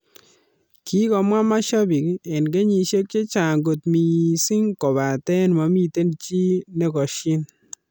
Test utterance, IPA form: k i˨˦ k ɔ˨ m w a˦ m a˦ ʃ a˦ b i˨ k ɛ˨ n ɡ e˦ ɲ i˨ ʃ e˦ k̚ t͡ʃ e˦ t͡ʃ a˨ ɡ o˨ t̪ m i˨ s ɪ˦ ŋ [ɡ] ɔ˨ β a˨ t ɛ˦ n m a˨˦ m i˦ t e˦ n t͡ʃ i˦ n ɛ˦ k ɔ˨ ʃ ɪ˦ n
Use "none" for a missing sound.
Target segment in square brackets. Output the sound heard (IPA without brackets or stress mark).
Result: k